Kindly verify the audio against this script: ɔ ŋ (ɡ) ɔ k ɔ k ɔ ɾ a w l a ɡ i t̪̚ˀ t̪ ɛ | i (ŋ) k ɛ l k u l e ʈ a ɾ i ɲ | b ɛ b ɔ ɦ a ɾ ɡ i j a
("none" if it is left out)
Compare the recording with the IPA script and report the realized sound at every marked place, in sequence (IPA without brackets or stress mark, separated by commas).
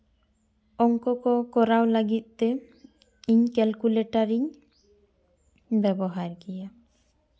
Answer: k, ɲ